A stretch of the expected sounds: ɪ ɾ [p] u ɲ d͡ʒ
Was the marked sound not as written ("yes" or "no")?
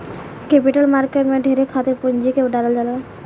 no